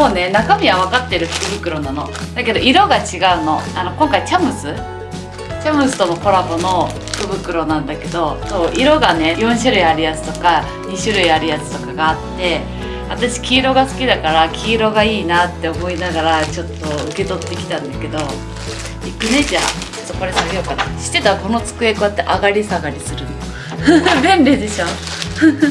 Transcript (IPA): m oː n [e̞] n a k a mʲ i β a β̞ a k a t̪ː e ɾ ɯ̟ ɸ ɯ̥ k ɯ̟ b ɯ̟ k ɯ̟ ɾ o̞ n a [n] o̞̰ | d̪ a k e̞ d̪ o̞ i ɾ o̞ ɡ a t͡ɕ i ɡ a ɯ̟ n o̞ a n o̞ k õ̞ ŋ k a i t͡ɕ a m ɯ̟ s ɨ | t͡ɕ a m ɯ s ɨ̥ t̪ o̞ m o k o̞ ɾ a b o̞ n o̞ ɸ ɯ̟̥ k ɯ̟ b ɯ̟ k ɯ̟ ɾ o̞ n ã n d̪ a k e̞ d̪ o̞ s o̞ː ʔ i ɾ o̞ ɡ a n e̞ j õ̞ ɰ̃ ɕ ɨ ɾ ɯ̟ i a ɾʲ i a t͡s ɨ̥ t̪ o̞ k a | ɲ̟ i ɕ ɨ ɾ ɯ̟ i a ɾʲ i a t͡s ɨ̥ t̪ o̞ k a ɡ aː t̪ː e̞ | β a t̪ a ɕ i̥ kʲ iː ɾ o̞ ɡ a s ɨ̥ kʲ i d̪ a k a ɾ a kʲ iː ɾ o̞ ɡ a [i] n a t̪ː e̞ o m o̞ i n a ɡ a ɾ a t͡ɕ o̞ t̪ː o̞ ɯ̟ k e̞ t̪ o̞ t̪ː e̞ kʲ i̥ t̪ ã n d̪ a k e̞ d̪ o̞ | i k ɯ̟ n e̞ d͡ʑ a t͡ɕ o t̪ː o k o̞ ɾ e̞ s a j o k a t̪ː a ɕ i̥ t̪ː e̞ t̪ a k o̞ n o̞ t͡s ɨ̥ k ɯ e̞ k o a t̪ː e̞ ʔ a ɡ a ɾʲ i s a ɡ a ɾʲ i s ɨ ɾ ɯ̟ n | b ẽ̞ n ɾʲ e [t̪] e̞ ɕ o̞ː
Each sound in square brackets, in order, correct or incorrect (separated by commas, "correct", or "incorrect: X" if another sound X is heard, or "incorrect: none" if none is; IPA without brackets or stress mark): correct, correct, incorrect: iː, incorrect: d̪